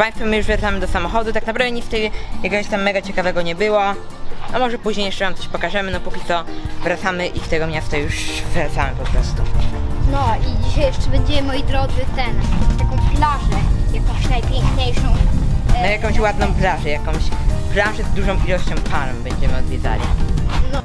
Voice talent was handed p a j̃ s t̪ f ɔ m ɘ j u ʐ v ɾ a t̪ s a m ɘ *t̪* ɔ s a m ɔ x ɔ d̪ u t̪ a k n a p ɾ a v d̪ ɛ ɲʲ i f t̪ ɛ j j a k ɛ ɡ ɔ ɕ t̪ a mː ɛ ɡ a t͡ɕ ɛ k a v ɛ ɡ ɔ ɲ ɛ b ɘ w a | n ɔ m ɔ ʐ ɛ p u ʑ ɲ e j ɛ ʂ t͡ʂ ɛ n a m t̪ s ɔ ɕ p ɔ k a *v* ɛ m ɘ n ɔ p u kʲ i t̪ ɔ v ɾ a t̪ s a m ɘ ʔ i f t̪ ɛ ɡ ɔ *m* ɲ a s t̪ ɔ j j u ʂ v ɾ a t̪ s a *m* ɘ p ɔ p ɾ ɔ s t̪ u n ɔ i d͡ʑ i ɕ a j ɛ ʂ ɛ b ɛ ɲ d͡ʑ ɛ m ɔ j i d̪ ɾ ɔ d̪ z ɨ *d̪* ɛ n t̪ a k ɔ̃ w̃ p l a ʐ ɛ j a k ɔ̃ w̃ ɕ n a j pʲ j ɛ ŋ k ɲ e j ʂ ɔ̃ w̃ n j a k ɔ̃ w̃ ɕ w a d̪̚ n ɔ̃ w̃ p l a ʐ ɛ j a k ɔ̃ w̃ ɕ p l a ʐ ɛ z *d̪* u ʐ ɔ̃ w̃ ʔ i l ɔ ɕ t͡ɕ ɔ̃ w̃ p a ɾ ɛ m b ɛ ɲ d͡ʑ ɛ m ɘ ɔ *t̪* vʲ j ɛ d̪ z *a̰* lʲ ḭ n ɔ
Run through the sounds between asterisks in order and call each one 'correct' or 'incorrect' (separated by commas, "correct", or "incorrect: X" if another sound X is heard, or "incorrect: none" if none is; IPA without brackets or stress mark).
incorrect: d̪, incorrect: ʐ, correct, correct, incorrect: t̪, correct, incorrect: d̪, correct